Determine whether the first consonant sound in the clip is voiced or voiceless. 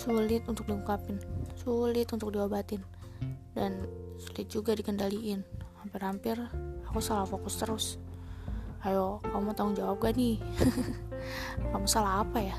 voiceless